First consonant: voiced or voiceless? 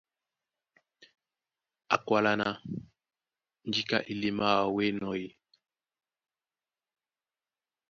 voiceless